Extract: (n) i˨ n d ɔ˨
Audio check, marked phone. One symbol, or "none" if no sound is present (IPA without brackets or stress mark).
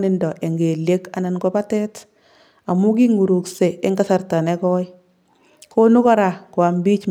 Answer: n